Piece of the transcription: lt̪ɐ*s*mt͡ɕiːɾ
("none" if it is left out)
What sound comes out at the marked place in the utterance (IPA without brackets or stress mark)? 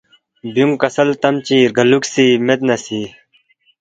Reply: none